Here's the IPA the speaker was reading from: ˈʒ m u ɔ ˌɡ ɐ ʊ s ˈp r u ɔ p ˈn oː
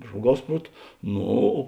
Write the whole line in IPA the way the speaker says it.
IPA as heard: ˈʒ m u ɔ ˌɡ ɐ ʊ s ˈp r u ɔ t ˈn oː